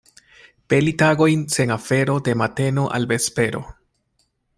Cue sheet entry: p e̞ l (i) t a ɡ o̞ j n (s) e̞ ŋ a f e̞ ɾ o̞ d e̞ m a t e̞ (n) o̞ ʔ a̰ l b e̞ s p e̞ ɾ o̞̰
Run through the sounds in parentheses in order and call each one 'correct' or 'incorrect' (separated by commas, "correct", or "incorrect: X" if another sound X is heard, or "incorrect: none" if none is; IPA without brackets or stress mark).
correct, correct, correct